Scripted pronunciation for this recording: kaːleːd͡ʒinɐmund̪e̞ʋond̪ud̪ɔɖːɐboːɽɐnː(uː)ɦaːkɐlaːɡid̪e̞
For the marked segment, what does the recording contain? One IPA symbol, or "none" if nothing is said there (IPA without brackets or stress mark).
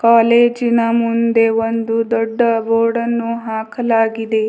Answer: u